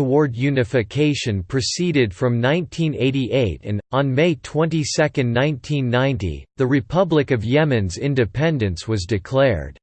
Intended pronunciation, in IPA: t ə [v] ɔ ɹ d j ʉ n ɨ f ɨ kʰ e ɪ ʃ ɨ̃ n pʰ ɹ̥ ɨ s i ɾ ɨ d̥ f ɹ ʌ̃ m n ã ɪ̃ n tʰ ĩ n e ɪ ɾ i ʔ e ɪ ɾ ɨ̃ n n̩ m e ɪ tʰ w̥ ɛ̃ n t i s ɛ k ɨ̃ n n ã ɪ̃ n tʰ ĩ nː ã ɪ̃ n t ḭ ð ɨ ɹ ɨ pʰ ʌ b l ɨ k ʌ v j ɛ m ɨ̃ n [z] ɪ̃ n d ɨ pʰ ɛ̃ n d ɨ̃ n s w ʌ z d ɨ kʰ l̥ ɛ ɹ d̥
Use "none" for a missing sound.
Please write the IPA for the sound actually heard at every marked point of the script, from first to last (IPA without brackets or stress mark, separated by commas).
w, z